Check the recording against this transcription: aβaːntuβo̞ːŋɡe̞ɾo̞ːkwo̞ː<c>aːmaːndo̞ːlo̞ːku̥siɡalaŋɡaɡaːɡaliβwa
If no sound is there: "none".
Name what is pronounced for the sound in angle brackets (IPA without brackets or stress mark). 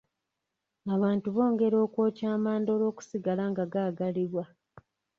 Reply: c